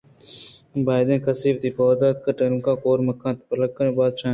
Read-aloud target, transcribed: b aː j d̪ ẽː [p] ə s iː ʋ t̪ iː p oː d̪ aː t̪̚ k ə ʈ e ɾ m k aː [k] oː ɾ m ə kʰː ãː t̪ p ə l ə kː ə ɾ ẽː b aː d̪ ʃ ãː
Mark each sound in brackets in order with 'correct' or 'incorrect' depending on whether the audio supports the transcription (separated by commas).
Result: incorrect, correct